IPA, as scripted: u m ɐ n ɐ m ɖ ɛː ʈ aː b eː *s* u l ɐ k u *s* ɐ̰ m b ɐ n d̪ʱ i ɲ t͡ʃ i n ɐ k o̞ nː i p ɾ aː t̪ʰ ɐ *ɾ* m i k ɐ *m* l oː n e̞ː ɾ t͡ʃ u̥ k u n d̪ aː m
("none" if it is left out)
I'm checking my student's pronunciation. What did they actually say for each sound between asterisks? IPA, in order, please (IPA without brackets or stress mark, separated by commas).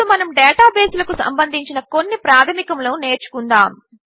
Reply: s, s, none, m